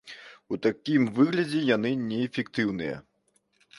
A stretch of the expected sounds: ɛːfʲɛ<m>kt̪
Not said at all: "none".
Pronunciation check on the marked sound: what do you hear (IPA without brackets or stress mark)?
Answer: none